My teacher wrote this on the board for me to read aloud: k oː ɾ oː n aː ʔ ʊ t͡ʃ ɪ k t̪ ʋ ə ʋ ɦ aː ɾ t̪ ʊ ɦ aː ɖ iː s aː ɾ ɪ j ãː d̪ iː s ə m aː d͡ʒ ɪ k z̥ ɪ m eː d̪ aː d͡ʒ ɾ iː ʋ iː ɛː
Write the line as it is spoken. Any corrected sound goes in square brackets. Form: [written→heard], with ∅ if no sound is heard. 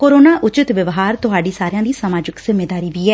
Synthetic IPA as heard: k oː ɾ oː n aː ʔ ʊ t͡ʃ ɪ [k→∅] t̪ ʋ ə ʋ ɦ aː ɾ t̪ ʊ ɦ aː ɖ iː s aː ɾ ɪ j ãː d̪ iː s ə m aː d͡ʒ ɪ k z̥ ɪ m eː d̪ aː [d͡ʒ→∅] ɾ iː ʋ iː ɛː